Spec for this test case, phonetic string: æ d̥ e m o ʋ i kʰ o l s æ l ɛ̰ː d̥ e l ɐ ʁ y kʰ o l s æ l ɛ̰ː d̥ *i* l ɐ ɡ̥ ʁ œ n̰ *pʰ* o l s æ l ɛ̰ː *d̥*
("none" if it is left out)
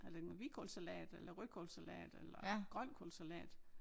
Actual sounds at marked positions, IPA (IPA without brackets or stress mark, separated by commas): e, kʰ, d̥